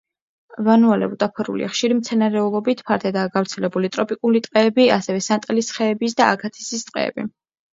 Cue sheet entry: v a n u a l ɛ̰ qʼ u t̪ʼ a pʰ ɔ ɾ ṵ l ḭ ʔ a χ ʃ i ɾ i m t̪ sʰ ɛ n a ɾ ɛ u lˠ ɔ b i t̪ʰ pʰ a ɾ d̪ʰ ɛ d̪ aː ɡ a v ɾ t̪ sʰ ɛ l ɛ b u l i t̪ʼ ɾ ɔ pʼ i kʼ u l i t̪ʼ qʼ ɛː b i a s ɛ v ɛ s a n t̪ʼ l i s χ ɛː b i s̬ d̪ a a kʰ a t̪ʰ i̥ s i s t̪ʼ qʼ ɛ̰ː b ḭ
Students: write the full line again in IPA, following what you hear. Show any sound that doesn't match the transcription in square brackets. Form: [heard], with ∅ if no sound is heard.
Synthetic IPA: v a n u a l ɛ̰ [∅] u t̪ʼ a pʰ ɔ ɾ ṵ l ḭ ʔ a χ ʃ i ɾ i m t̪ sʰ ɛ n a ɾ ɛ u lˠ ɔ b i t̪ʰ pʰ a ɾ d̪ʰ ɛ d̪ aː ɡ a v ɾ t̪ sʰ ɛ l ɛ b u l i t̪ʼ ɾ ɔ pʼ i kʼ u l i t̪ʼ qʼ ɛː b i a s ɛ v ɛ s a n t̪ʼ l i s χ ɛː b i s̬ d̪ a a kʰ a t̪ʰ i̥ s i s t̪ʼ qʼ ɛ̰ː b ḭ

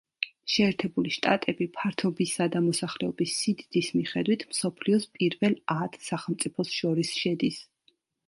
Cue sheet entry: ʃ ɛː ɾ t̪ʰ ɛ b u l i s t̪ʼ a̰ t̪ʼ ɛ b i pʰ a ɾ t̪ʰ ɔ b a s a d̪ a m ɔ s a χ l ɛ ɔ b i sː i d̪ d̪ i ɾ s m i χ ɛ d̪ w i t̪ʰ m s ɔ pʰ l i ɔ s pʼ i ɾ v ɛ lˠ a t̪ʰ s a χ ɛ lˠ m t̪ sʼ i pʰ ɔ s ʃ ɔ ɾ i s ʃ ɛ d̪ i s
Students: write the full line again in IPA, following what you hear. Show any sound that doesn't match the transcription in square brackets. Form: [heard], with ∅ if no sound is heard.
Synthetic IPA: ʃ ɛː ɾ t̪ʰ ɛ b u l i [ʃ] t̪ʼ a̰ t̪ʼ ɛ b i pʰ a ɾ t̪ʰ ɔ b [i] s a d̪ a m ɔ s a χ l ɛ ɔ b i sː i d̪ d̪ i [∅] s m i χ ɛ d̪ w i t̪ʰ m s ɔ pʰ l i ɔ s pʼ i ɾ v ɛ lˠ a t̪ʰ s a χ ɛ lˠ m t̪ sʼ i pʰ ɔ s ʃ ɔ ɾ i s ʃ ɛ d̪ i s

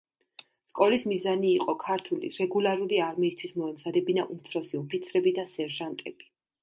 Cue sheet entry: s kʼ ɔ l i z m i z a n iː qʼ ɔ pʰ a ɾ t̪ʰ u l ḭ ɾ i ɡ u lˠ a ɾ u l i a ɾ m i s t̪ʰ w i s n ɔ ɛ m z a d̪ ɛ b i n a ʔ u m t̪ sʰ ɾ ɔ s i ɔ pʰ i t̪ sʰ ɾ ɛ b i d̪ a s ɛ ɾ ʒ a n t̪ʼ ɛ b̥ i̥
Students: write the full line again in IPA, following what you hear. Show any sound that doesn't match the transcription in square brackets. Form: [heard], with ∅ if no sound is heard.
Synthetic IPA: s kʼ ɔ l i [s] m i z a n iː qʼ ɔ [kʰ] a ɾ t̪ʰ u l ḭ ɾ [ɛ] ɡ u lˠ a ɾ u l i a ɾ m [iː] s t̪ʰ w i s [m] ɔ ɛ m z a d̪ ɛ b i n a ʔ u m t̪ sʰ ɾ ɔ s i ɔ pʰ i t̪ sʰ ɾ ɛ b i d̪ a s ɛ ɾ ʒ a n t̪ʼ ɛ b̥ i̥

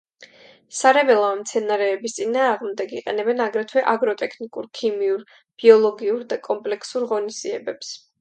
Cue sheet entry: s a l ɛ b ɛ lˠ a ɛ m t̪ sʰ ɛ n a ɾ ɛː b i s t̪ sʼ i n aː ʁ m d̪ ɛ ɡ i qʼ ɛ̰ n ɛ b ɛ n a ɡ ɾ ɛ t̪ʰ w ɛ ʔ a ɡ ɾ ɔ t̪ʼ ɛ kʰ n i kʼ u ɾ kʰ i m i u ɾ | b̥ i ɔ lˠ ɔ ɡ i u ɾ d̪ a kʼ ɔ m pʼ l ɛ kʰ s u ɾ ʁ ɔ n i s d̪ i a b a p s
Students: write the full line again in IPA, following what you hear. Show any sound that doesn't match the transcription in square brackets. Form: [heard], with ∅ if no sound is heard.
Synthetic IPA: s a [ɾ] ɛ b ɛ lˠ a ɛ m t̪ sʰ ɛ n a ɾ ɛː b i s t̪ sʼ i n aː ʁ m d̪ ɛ ɡ i qʼ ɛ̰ n ɛ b ɛ n a ɡ ɾ ɛ t̪ʰ w ɛ ʔ a ɡ ɾ ɔ t̪ʼ ɛ kʰ n i kʼ u ɾ kʰ i m i u ɾ | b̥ i ɔ lˠ ɔ ɡ i u ɾ d̪ a kʼ ɔ m pʼ l ɛ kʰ s u ɾ ʁ ɔ n i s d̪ i [ɛ] b [ɛ] p s

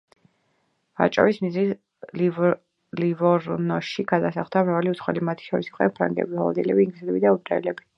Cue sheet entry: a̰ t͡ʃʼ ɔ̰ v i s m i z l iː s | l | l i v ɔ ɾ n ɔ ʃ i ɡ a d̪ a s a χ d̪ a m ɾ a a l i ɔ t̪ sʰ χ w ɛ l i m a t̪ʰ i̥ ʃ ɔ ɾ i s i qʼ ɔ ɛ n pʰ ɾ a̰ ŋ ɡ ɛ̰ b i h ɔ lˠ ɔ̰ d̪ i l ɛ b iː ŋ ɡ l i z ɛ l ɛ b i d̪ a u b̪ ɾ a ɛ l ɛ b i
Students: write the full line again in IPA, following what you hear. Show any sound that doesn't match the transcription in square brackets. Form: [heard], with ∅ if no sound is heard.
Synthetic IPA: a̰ t͡ʃʼ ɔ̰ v i s m i z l [i] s | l | l i v ɔ ɾ n ɔ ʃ i ɡ a d̪ a s a χ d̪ a m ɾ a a l i [u] t̪ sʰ χ w ɛ l i m a t̪ʰ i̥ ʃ ɔ ɾ i s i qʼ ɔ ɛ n pʰ ɾ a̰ ŋ ɡ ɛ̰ b i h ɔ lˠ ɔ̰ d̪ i l ɛ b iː ŋ ɡ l i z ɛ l ɛ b i d̪ a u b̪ ɾ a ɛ l ɛ b i

